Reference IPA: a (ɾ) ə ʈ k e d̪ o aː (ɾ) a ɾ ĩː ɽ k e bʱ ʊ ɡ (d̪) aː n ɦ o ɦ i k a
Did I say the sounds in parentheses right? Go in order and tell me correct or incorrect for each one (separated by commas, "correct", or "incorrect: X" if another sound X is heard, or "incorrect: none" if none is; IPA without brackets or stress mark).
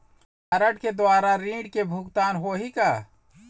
correct, correct, incorrect: t̪